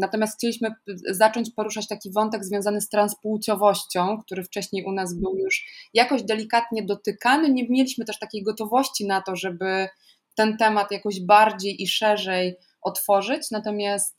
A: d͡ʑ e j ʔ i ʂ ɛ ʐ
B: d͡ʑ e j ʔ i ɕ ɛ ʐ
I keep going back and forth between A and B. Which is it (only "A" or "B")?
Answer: A